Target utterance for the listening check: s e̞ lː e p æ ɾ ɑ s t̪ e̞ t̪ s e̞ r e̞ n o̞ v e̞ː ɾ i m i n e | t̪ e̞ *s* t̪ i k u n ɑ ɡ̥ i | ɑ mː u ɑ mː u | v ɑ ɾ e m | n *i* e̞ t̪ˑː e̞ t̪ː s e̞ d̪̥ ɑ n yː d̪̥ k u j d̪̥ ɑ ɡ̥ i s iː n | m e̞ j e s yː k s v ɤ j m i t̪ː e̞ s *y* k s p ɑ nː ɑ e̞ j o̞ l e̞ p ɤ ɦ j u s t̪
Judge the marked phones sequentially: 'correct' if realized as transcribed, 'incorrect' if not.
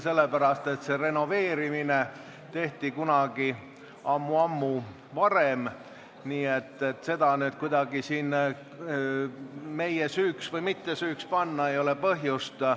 incorrect: h, incorrect: iː, incorrect: yː

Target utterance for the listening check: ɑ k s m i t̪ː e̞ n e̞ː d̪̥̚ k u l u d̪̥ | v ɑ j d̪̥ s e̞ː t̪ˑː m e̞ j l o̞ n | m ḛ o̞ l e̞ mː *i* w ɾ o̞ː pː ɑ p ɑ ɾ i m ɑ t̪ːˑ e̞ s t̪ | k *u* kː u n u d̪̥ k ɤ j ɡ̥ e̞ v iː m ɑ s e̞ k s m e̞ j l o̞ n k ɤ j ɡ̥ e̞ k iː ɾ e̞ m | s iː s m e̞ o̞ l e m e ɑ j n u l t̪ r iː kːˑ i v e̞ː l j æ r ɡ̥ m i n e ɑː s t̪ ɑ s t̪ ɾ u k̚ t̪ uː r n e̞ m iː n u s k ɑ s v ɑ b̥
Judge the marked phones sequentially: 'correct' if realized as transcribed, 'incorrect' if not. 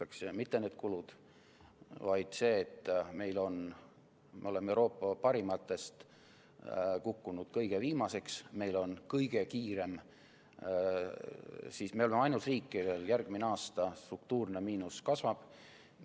incorrect: e, correct

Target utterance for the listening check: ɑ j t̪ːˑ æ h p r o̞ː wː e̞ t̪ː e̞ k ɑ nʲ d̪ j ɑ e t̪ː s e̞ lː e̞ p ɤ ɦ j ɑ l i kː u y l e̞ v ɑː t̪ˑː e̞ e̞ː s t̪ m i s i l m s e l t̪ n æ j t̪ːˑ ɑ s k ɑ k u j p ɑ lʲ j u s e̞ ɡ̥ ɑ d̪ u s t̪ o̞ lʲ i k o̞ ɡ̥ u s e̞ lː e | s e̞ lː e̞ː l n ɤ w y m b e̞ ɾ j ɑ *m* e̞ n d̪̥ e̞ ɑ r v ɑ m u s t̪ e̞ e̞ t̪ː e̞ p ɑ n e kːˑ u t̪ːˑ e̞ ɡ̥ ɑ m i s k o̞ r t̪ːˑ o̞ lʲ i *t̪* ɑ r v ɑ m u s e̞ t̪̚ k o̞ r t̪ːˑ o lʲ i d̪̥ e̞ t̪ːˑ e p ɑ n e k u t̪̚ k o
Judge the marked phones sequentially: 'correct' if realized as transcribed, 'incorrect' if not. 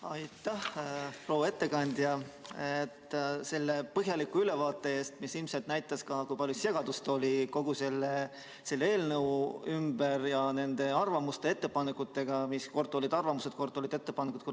incorrect: n, incorrect: d̪

